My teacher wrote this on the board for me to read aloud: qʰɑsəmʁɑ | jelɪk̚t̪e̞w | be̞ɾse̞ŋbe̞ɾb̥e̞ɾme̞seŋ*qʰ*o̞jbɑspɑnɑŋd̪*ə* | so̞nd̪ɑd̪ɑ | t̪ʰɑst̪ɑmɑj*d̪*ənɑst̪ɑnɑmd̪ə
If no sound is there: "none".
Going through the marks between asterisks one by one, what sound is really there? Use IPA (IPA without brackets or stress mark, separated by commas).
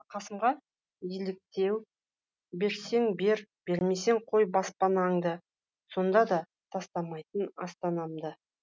qʰ, ə, t̪